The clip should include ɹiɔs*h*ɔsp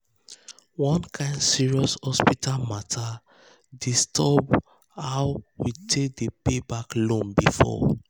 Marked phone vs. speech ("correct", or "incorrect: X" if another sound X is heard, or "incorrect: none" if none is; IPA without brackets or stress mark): correct